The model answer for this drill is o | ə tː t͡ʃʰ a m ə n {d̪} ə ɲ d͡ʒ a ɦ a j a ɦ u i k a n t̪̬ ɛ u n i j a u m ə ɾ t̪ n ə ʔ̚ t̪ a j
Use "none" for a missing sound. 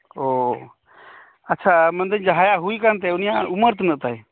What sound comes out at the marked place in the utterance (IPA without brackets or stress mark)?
d̪